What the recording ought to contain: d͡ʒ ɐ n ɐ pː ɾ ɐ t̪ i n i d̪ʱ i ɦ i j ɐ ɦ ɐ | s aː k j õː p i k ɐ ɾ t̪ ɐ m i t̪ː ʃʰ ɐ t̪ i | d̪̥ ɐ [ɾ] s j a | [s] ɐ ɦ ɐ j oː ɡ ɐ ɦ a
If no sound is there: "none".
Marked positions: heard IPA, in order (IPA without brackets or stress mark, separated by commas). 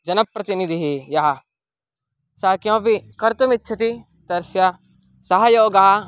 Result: ɾ, s